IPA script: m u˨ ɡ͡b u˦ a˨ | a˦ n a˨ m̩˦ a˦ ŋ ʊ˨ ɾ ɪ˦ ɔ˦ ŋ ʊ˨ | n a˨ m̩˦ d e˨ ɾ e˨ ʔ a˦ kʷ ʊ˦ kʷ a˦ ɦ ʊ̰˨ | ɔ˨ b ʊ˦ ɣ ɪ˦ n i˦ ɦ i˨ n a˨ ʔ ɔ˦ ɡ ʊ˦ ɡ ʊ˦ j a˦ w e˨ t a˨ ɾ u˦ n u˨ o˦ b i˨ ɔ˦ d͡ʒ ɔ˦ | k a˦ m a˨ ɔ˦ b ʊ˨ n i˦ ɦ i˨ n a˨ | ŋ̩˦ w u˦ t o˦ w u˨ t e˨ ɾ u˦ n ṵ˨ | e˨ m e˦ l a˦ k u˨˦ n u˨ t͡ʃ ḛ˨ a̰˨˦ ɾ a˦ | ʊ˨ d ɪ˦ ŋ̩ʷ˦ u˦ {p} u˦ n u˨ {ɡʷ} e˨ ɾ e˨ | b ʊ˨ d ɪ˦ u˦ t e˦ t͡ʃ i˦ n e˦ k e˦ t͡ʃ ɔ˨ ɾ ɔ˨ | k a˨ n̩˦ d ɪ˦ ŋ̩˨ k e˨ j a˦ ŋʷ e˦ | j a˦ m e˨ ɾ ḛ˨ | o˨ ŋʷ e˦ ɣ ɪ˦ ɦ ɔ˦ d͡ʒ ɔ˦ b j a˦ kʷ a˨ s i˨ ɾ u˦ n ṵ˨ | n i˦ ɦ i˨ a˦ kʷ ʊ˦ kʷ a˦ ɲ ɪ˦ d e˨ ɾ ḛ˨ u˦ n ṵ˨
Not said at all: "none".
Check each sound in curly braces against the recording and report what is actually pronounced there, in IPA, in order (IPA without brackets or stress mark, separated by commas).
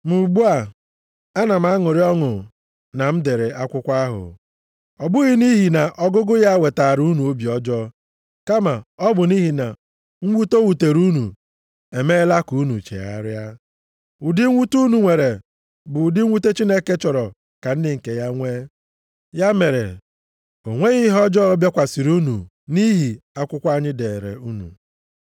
t, ŋʷ